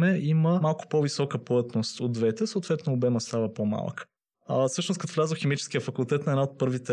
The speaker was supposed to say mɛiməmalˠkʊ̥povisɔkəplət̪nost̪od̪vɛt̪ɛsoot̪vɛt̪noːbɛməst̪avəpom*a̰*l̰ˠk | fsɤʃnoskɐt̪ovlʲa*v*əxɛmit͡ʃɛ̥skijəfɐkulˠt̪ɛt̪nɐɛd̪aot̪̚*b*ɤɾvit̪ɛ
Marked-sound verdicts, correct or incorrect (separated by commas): correct, incorrect, incorrect